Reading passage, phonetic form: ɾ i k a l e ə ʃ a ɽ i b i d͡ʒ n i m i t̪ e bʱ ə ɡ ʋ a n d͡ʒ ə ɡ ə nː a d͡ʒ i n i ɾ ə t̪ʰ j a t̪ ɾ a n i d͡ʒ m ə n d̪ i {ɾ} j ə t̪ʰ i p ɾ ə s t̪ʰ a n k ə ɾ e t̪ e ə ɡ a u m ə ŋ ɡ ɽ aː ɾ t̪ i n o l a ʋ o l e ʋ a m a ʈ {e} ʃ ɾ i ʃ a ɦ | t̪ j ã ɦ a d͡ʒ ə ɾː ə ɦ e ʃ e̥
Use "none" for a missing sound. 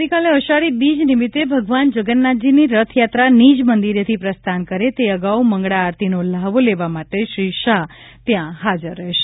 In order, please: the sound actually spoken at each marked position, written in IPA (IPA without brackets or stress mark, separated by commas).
ɾ, e